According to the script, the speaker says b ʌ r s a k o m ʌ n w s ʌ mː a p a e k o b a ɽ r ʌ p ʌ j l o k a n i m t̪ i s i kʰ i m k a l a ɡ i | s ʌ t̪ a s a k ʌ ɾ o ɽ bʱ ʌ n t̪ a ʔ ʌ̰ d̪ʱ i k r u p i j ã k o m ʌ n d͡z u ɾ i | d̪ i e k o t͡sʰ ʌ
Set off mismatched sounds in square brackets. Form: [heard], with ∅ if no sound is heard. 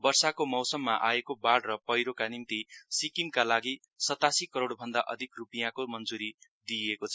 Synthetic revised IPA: b ʌ r s a k o m ʌ [∅] w s ʌ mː a [ʔ] a e k o b a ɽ r ʌ p ʌ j [ɾ] o k a n i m t̪ i s i [k] i m k a l a ɡ i | s ʌ t̪ a s [i] k ʌ ɾ o ɽ bʱ ʌ n [d̪] a ʔ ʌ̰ d̪ʱ i k r u p i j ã k o m ʌ n d͡z u ɾ i | d̪ i e k o t͡sʰ ʌ